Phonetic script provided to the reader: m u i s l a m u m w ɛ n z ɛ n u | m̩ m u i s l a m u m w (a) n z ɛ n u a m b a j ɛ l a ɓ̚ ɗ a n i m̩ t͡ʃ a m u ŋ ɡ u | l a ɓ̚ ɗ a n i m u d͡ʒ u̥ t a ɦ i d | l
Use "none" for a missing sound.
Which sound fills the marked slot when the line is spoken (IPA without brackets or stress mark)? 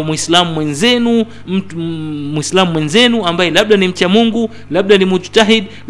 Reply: ɛ